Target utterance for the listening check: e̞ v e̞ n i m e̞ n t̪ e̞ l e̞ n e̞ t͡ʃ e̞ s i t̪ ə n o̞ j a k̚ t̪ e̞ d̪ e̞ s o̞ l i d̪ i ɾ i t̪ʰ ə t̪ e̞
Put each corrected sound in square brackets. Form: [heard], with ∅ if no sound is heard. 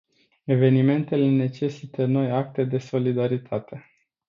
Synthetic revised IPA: e̞ v e̞ n i m e̞ n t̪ e̞ l e̞ n e̞ t͡ʃ e̞ s i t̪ ə n o̞ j a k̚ t̪ e̞ d̪ e̞ s o̞ l i d̪ [a] ɾ i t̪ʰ [a] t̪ e̞